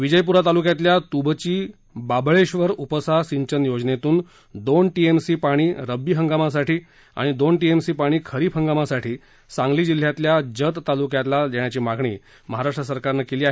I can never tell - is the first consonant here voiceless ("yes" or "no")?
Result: no